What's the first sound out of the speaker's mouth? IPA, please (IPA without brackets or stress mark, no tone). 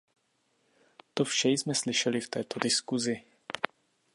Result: t̪